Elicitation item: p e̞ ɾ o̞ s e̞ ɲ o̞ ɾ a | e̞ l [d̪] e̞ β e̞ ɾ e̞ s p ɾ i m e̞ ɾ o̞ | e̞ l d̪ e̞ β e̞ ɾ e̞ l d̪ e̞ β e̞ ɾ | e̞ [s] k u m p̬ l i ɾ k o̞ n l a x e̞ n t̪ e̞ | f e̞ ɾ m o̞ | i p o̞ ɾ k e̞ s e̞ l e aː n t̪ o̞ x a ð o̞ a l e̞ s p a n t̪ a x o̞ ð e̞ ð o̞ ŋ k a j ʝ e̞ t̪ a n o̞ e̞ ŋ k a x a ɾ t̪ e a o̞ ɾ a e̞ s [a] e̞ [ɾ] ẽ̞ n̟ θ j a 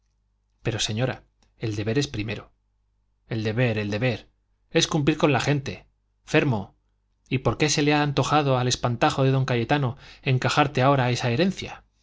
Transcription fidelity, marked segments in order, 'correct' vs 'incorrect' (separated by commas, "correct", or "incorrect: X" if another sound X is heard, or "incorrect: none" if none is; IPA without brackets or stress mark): correct, correct, correct, correct